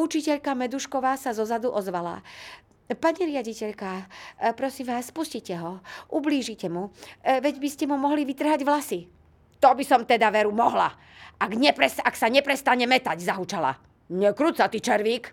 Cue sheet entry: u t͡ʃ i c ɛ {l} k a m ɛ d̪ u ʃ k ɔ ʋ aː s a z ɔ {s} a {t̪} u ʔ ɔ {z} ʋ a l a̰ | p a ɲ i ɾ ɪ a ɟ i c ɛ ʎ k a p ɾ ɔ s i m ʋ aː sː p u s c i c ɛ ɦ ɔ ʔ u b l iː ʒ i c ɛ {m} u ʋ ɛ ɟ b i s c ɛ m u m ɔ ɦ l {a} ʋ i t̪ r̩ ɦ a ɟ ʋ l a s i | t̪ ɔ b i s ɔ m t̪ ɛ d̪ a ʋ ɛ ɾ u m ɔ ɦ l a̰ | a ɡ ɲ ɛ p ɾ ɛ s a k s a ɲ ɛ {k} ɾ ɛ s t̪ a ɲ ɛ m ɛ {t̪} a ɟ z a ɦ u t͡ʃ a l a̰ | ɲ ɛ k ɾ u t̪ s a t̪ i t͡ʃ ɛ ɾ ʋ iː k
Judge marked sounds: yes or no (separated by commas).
no, no, no, yes, yes, no, no, yes